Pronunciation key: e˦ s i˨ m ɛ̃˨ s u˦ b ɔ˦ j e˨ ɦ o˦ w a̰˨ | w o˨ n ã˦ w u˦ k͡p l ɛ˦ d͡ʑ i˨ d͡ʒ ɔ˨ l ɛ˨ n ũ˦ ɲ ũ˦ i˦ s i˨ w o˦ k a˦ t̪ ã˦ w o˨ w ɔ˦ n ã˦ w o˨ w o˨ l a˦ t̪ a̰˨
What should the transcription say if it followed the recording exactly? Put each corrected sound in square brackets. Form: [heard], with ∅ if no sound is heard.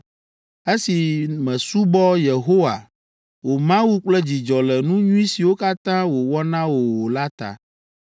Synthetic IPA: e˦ s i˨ m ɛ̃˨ s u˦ b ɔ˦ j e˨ ɦ o˦ w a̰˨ | w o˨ [m] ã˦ w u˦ k͡p l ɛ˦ d͡ʑ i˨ d͡ʒ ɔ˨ l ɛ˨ n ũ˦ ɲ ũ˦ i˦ s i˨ w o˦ k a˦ t̪ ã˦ w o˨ w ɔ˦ n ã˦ w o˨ w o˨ l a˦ t̪ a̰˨